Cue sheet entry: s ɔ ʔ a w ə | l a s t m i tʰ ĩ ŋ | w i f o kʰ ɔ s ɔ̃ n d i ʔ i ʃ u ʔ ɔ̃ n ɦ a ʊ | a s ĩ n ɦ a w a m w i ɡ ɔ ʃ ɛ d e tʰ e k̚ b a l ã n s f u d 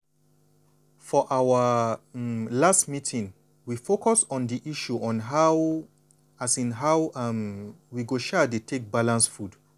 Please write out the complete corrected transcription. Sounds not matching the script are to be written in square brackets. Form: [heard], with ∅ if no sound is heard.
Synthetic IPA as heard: [f] ɔ ʔ a w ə | l a s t m i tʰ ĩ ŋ | w i f o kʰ ɔ s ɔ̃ n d i ʔ i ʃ u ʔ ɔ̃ n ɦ a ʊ | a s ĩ n ɦ a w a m w i ɡ [o] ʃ ɛ d e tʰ e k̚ b a l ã n s f u d